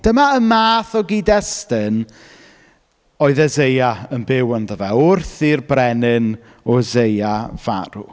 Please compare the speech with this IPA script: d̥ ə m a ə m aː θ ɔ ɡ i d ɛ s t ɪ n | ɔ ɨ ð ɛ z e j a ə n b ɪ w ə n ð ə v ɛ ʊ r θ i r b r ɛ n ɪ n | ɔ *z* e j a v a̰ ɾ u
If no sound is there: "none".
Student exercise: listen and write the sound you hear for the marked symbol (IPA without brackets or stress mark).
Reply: z